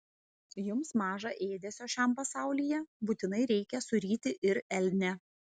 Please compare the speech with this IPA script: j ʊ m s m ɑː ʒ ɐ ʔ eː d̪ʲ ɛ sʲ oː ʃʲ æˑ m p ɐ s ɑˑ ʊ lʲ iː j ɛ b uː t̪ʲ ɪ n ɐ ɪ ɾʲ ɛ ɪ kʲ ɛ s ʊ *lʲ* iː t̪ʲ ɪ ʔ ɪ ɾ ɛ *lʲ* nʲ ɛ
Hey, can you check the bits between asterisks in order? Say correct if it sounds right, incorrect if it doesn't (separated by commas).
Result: incorrect, correct